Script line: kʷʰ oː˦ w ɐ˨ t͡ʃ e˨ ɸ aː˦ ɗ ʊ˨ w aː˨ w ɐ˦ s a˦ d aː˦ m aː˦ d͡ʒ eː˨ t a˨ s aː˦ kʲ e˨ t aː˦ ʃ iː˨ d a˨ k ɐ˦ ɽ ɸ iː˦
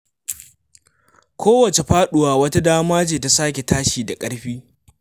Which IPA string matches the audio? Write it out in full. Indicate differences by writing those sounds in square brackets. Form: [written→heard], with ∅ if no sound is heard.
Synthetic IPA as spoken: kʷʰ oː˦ w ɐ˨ t͡ʃ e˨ ɸ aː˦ ɗ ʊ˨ w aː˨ w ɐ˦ [s→t] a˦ d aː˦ m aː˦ d͡ʒ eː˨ t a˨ s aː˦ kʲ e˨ t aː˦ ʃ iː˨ d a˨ [k→kʼ] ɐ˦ ɽ ɸ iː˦